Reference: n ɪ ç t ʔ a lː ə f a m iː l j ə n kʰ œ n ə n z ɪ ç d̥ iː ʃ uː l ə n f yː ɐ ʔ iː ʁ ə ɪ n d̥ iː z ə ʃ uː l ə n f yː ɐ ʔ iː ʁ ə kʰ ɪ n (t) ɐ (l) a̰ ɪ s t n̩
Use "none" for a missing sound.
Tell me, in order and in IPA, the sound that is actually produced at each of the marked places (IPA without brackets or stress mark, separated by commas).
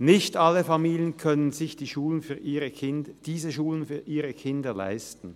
d, l